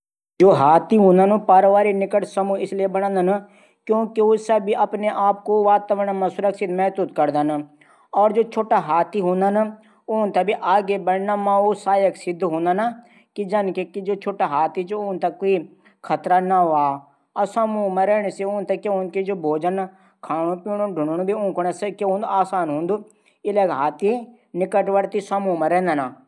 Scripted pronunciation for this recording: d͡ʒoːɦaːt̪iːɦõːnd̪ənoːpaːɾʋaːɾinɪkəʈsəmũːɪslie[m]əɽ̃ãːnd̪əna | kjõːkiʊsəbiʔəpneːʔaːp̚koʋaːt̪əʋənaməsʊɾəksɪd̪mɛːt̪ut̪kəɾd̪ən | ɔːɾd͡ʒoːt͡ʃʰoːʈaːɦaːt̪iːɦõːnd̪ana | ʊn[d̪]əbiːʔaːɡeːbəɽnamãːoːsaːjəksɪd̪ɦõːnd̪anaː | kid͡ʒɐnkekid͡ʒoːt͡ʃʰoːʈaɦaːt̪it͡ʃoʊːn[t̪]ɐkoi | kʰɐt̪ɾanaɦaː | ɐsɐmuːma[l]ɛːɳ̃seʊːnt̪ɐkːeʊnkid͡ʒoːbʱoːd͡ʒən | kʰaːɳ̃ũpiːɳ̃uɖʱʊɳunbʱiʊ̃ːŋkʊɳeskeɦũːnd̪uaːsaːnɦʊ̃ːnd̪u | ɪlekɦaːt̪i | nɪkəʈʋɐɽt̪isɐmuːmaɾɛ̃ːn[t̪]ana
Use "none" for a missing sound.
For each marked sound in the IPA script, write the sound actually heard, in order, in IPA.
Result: b, t̪, t̪, ɾ, d̪

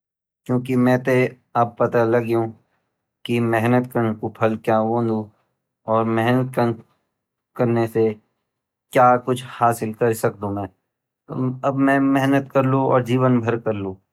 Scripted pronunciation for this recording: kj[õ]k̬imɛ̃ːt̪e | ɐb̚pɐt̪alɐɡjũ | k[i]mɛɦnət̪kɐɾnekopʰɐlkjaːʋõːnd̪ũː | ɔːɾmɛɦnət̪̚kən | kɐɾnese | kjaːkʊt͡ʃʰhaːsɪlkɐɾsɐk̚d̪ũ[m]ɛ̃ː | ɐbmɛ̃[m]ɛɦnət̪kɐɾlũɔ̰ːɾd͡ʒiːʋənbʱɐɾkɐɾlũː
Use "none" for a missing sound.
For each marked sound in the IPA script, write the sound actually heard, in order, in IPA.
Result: õː, i, m, m

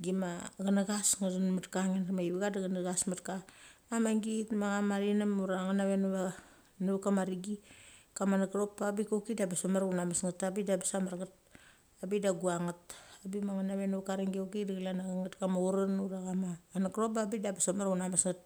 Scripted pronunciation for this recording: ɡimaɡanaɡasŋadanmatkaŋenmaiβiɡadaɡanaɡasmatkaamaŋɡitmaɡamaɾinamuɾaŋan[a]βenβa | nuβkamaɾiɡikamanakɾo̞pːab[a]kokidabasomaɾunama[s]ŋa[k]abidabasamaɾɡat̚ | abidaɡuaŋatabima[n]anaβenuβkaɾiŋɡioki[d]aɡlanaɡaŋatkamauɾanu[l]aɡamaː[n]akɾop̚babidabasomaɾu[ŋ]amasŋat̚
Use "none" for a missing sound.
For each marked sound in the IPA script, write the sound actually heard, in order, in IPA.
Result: a, i, s, t, ŋ, d, ɾ, n, n

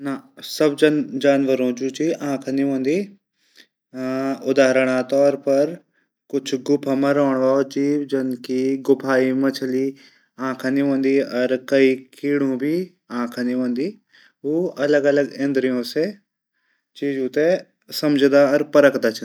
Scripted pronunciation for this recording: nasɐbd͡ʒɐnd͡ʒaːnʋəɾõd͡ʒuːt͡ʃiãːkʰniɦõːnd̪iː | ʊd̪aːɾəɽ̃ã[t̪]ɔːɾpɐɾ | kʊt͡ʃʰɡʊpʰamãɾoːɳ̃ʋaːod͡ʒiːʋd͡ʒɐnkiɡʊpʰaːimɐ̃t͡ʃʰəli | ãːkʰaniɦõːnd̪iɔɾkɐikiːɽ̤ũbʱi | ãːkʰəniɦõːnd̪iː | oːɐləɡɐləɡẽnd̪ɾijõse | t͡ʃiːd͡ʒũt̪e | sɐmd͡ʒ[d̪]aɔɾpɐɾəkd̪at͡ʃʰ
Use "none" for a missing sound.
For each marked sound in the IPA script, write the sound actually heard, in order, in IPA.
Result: t̪, d̪

